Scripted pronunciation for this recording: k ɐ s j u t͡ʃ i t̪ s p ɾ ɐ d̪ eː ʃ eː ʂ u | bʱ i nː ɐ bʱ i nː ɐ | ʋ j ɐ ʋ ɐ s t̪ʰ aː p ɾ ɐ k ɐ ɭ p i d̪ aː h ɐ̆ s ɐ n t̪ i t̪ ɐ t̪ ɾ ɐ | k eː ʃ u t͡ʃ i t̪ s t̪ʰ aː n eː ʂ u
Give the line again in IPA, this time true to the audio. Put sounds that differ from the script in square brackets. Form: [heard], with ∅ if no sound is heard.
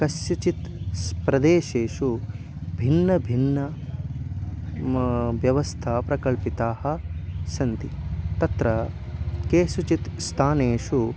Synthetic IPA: k ɐ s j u t͡ʃ i t̪ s p ɾ ɐ d̪ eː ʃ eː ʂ u | bʱ i nː ɐ bʱ i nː ɐ | ʋ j ɐ ʋ ɐ s t̪ʰ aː p ɾ ɐ k ɐ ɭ p i [t̪] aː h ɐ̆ s ɐ n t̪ i t̪ ɐ t̪ ɾ ɐ | k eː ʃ u t͡ʃ i t̪ s t̪ʰ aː n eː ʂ u

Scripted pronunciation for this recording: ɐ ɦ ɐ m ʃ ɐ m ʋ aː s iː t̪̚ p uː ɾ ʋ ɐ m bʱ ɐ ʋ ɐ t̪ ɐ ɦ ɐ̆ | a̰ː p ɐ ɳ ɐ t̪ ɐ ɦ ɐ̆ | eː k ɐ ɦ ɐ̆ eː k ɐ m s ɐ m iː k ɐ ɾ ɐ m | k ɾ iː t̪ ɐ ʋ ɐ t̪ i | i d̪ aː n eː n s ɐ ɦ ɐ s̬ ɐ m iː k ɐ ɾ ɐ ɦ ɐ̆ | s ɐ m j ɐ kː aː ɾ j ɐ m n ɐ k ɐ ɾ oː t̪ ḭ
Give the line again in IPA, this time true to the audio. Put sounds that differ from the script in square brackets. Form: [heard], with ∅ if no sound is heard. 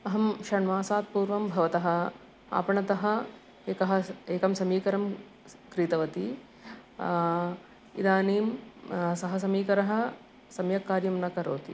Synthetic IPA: ɐ ɦ ɐ m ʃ ɐ [ɳ] ʋ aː s [aː] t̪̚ p uː ɾ ʋ ɐ m bʱ ɐ ʋ ɐ t̪ ɐ ɦ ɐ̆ | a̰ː p ɐ ɳ ɐ t̪ ɐ ɦ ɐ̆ | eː k ɐ ɦ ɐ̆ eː k ɐ m s ɐ m iː k ɐ ɾ ɐ m | k ɾ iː t̪ ɐ ʋ ɐ t̪ i | i d̪ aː n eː [m] s ɐ ɦ ɐ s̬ ɐ m iː k ɐ ɾ ɐ ɦ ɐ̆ | s ɐ m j ɐ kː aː ɾ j ɐ m n ɐ k ɐ ɾ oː t̪ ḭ

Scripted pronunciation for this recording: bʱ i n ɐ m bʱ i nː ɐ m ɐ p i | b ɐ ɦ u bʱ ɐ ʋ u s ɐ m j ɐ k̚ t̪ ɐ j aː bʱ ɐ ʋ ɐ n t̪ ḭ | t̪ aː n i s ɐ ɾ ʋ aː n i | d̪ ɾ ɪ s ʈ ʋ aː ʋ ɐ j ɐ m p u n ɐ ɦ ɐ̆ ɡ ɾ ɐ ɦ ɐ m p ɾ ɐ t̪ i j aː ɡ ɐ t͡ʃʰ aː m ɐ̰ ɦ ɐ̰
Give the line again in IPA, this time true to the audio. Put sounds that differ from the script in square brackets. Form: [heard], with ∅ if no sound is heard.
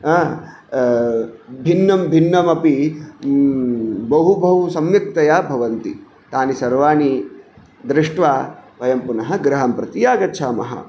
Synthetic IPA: bʱ i [nː] ɐ m bʱ i nː ɐ m ɐ p i | b ɐ ɦ u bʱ ɐ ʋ u s ɐ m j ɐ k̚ t̪ ɐ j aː bʱ ɐ ʋ ɐ n t̪ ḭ | t̪ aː n i s ɐ ɾ ʋ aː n i | d̪ ɾ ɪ [ʂ] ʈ ʋ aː ʋ ɐ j ɐ m p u n ɐ ɦ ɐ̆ ɡ ɾ ɐ ɦ ɐ m p ɾ ɐ t̪ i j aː ɡ ɐ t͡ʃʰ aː m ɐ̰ ɦ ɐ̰

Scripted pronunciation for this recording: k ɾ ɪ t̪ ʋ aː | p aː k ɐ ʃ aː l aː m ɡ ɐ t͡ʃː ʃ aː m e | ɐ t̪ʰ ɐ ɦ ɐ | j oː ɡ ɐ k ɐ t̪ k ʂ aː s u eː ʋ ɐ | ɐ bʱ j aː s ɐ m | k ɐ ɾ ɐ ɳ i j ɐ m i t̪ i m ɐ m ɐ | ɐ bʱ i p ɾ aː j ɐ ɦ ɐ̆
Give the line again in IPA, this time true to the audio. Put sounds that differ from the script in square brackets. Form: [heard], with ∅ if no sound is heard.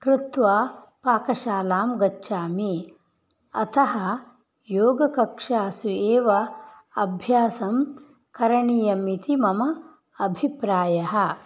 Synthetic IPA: k ɾ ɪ t̪ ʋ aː | p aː k ɐ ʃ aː l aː m ɡ ɐ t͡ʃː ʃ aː m [i] | ɐ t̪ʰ ɐ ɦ ɐ | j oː ɡ ɐ k ɐ [∅] k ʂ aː s u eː ʋ ɐ | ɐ bʱ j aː s ɐ m | k ɐ ɾ ɐ ɳ i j ɐ m i t̪ i m ɐ m ɐ | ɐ bʱ i p ɾ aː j ɐ ɦ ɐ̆

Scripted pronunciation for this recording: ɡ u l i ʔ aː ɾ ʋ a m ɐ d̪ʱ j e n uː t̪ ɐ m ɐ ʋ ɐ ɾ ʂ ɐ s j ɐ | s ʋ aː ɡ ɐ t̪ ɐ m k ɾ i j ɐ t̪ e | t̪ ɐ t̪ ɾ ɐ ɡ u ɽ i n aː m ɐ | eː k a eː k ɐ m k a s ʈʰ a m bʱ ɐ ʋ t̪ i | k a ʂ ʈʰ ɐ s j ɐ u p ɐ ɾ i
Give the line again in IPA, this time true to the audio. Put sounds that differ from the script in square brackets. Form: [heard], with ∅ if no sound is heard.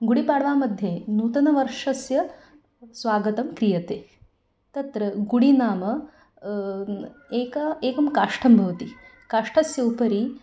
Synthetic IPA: ɡ u [ɽ] i [p] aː [ɽ] ʋ a m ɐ d̪ʱ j e n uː t̪ ɐ [n] ɐ ʋ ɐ ɾ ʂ ɐ s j ɐ | s ʋ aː ɡ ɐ t̪ ɐ m k ɾ i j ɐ t̪ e | t̪ ɐ t̪ ɾ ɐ ɡ u ɽ i n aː m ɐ | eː k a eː k ɐ m k a [ʂ] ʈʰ [ɐ] m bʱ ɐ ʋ t̪ i | k a ʂ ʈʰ ɐ s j ɐ u p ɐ ɾ i

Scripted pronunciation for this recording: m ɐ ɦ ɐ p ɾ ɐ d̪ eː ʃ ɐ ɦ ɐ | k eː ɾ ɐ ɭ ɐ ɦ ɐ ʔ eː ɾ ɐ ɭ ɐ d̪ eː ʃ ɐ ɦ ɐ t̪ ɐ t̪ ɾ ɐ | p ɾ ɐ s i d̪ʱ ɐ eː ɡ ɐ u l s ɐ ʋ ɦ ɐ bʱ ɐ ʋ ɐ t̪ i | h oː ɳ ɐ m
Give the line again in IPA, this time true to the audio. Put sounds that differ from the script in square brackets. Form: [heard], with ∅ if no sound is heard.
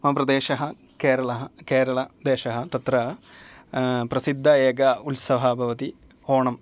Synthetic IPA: m ɐ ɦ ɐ p ɾ ɐ d̪ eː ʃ ɐ ɦ ɐ | k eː ɾ ɐ ɭ ɐ ɦ ɐ [k] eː ɾ ɐ ɭ ɐ d̪ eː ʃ ɐ ɦ ɐ t̪ ɐ t̪ ɾ ɐ | p ɾ ɐ s i [d̪ʱː] ɐ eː ɡ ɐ u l s ɐ ʋ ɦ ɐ bʱ ɐ ʋ ɐ t̪ i | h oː ɳ ɐ m

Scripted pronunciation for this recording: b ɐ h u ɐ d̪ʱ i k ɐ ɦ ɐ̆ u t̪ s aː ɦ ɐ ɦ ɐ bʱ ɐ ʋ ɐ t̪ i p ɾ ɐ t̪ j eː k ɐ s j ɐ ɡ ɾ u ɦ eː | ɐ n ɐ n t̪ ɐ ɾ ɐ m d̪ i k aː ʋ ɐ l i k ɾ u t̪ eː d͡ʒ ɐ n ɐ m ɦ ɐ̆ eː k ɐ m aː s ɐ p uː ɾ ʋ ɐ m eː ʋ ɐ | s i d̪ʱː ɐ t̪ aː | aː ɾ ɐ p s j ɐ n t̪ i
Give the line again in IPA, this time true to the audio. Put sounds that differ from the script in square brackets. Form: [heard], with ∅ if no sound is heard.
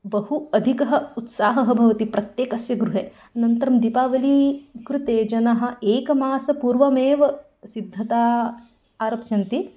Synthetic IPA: b ɐ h u ɐ d̪ʱ i k ɐ ɦ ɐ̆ u t̪ s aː ɦ ɐ ɦ ɐ bʱ ɐ ʋ ɐ t̪ i p ɾ ɐ t̪ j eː k ɐ s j ɐ ɡ ɾ u ɦ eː | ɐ n ɐ n t̪ ɐ ɾ ɐ m d̪ i [p] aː ʋ ɐ l i k ɾ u t̪ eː d͡ʒ ɐ n ɐ [∅] ɦ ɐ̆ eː k ɐ m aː s ɐ p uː ɾ ʋ ɐ m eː ʋ ɐ | s i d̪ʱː ɐ t̪ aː | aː ɾ ɐ p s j ɐ n t̪ i

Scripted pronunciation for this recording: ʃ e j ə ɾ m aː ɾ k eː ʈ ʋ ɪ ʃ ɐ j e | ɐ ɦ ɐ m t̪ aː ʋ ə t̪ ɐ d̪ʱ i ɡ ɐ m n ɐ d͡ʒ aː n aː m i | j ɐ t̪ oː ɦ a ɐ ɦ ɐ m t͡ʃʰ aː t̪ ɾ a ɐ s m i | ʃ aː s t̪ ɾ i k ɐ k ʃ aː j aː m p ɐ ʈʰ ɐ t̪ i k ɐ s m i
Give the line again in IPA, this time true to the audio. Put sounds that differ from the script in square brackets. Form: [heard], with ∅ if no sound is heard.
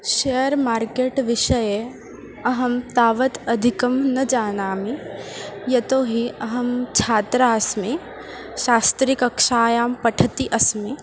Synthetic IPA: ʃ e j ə ɾ m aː ɾ k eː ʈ ʋ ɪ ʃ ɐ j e | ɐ ɦ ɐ m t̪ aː ʋ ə t̪ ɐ d̪ʱ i [k] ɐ m n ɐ d͡ʒ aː n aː m i | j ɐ t̪ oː ɦ [i] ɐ ɦ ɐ m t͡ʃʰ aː t̪ ɾ a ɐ s m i | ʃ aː s t̪ ɾ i k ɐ k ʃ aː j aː m p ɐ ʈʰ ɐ t̪ i [ʔ] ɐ s m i

